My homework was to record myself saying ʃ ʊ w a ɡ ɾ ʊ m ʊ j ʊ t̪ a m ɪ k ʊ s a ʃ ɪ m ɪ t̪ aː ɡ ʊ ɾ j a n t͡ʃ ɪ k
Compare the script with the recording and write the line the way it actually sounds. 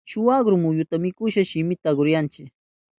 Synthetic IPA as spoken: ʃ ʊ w a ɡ ɾ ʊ m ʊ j ʊ t̪ a m ɪ k ʊ ʃ a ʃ ɪ m ɪ t̪ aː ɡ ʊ ɾ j a n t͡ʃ ɪ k